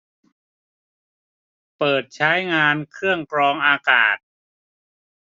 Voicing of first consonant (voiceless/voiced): voiceless